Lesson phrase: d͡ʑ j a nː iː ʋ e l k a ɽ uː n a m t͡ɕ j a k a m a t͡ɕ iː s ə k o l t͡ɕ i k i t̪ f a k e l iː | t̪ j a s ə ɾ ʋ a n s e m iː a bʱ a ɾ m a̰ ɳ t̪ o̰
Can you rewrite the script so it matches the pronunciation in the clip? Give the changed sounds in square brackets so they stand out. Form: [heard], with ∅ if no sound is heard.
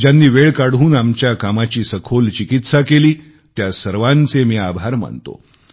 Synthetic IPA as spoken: d͡ʑ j a nː iː ʋ e [ɭ] k a ɽ uː n a m t͡ɕ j a k a m a t͡ɕ iː s ə [kʰ] o l t͡ɕ i k i t̪ [s] a k e l iː | t̪ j a s ə ɾ ʋ a n [t͡s] e m iː a bʱ a ɾ m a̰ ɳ t̪ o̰